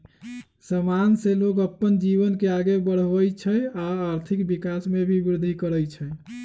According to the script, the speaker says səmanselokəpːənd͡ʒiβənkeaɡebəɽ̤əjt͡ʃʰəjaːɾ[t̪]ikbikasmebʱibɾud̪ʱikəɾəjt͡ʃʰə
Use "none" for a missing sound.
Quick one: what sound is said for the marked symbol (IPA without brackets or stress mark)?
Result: t̪ʰ